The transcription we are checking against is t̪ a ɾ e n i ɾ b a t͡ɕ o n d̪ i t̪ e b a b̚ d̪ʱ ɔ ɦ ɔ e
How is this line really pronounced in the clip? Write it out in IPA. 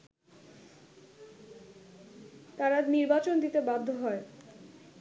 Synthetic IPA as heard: t̪ a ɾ a n i ɾ b a t͡ɕ o n d̪ i t̪ e b a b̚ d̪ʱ o ɦ ɔ e